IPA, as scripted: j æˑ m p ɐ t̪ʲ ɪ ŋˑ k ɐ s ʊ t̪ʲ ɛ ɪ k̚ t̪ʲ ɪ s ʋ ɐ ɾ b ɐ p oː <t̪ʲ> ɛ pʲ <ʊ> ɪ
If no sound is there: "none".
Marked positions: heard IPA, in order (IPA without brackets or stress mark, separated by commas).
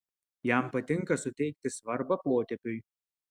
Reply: t̪ʲ, ʊ